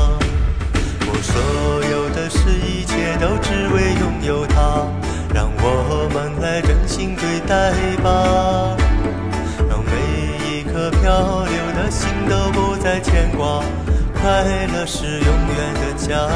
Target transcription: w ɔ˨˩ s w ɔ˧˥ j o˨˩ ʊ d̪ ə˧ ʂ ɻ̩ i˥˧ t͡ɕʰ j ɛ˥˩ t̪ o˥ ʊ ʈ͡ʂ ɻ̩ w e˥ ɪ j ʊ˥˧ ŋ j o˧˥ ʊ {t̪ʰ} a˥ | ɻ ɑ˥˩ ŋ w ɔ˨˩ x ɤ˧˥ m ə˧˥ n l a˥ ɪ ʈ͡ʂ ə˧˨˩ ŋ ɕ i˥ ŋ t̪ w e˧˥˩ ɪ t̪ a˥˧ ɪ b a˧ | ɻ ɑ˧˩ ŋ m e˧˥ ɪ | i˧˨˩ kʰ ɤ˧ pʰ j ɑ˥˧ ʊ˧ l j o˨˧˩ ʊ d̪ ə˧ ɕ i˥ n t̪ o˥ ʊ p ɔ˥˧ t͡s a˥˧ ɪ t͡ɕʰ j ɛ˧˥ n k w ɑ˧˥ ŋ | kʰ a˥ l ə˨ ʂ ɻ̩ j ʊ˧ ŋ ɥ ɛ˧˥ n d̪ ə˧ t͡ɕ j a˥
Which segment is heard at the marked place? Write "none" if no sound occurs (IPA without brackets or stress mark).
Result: t̪ʰ